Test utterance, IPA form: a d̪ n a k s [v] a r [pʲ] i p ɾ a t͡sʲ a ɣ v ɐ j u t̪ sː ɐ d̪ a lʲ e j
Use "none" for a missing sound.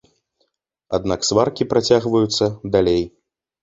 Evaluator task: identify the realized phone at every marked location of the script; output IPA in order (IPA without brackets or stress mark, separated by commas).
v, kʲ